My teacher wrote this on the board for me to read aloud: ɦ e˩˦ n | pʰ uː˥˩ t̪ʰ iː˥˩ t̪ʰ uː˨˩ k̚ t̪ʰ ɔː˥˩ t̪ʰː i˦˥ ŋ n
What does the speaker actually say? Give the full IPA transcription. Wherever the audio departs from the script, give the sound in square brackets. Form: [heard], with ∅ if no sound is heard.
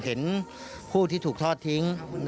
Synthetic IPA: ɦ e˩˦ n | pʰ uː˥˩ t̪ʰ iː˥˩ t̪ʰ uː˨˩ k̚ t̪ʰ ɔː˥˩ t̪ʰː i˦˥ ŋ n

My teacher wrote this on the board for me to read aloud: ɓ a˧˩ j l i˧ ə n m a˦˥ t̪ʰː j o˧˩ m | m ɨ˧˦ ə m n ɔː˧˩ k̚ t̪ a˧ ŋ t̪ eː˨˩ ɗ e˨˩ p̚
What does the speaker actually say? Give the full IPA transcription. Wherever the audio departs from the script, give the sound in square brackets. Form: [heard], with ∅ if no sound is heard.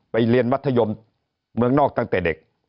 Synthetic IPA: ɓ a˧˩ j l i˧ ə n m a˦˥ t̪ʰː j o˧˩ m | m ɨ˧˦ ə [ŋ] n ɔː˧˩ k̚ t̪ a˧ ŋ t̪ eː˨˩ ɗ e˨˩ [k̚]

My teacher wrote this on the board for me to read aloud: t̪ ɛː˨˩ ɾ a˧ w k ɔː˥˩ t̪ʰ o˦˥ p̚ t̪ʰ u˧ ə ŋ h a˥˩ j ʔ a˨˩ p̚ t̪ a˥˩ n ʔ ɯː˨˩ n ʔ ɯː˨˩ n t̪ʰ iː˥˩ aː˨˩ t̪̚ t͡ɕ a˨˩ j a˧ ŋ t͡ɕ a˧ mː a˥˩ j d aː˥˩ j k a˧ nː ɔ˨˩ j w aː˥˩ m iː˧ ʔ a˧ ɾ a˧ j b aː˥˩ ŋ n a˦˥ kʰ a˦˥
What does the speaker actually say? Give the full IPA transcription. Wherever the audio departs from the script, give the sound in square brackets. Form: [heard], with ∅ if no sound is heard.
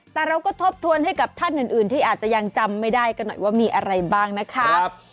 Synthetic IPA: t̪ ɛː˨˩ ɾ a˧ w k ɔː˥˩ t̪ʰ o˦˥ p̚ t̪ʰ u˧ ə [n] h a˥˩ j [k] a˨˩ p̚ [t̪ʰ] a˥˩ n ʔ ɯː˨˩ n ʔ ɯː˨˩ n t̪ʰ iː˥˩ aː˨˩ t̪̚ t͡ɕ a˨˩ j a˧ ŋ t͡ɕ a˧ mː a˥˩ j d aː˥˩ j k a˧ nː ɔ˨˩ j w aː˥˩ m iː˧ ʔ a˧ ɾ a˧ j b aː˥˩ ŋ n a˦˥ kʰ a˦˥

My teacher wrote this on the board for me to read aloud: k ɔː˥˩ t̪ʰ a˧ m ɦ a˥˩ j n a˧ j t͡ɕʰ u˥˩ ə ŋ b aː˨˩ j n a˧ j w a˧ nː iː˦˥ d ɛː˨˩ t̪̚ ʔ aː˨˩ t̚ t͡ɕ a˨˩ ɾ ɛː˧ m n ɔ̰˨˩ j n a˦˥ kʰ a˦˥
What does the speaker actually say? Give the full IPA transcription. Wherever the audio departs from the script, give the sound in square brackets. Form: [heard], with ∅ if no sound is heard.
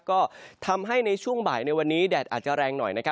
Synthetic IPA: k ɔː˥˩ t̪ʰ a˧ m ɦ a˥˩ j n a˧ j t͡ɕʰ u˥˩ ə ŋ b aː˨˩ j n a˧ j w a˧ nː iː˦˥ d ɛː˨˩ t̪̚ ʔ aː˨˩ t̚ t͡ɕ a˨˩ ɾ ɛː˧ [ŋ] n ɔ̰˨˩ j n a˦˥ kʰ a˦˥

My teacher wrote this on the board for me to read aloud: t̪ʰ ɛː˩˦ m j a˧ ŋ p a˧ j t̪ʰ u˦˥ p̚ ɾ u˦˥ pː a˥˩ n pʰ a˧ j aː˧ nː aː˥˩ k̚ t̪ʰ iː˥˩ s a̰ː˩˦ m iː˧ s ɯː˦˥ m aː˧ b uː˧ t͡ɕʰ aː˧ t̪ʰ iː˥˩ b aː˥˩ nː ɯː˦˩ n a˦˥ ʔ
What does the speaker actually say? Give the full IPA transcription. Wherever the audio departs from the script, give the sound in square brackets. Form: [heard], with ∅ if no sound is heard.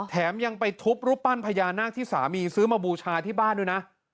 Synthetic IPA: t̪ʰ ɛː˩˦ m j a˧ ŋ p a˧ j t̪ʰ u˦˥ p̚ ɾ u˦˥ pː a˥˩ n pʰ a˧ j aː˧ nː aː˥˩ k̚ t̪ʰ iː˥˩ s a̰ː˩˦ m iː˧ s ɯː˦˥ m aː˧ b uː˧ t͡ɕʰ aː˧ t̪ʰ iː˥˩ b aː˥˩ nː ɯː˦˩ n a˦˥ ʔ

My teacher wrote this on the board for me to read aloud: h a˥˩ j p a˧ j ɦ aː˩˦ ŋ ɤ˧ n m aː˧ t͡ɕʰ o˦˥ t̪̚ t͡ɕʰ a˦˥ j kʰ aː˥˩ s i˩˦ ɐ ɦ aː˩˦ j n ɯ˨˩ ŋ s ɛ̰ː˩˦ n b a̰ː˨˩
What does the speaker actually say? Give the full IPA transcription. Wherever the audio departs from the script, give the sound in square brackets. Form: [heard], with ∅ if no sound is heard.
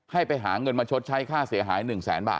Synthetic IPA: h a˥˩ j p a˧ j ɦ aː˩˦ ŋ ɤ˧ n m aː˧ t͡ɕʰ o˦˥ t̪̚ t͡ɕʰ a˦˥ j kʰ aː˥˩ s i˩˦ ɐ ɦ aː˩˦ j n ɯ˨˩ ŋ s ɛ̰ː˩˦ n b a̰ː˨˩

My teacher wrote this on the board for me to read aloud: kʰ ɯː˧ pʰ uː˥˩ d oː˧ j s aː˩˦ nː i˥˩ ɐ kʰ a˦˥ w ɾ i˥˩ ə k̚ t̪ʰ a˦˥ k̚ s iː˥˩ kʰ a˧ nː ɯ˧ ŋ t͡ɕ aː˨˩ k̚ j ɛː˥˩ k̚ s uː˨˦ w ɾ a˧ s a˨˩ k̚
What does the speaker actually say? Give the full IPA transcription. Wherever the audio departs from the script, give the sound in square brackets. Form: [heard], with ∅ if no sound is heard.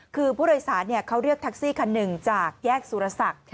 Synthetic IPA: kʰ ɯː˧ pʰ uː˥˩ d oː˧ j s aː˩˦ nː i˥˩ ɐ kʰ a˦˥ w ɾ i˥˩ ə k̚ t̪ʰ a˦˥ k̚ s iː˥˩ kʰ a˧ nː [ɯ˨˩] ŋ t͡ɕ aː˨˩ k̚ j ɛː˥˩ k̚ s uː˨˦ [∅] ɾ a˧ s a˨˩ k̚

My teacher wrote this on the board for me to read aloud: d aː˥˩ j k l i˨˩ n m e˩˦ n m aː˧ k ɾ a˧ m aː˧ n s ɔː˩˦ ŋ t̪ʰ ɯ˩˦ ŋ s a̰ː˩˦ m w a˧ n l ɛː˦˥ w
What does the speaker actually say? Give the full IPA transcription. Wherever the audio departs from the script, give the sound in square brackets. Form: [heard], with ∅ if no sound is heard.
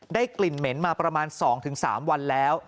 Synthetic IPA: d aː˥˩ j k l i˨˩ n m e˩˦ n m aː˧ [p] ɾ a˧ m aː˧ n s ɔː˩˦ ŋ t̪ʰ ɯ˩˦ ŋ s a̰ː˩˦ m w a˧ n l ɛː˦˥ w

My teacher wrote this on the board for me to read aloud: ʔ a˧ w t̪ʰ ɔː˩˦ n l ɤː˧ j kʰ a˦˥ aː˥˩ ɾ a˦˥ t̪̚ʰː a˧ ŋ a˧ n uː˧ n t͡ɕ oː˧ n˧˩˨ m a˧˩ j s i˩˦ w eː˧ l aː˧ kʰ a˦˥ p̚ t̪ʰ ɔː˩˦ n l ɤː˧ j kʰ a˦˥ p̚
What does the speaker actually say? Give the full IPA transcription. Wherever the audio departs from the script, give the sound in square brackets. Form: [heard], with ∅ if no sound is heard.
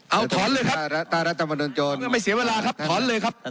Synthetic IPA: ʔ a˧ w t̪ʰ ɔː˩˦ n l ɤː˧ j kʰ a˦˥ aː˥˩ ɾ a˦˥ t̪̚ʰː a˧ [m] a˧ n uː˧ n t͡ɕ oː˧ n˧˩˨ m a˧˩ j s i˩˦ w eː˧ l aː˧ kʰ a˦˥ p̚ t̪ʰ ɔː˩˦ n l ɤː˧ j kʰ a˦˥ p̚

